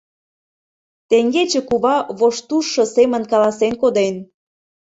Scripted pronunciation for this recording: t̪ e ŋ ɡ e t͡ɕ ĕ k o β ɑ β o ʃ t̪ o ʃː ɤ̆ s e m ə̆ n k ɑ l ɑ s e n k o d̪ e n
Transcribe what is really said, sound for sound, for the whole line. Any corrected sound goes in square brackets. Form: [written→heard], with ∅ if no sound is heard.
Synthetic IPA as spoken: t̪ e ŋ ɡ e t͡ɕ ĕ k [o→u] β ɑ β o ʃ t̪ [o→u] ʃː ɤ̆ s e m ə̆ n k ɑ l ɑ s e n k o d̪ e n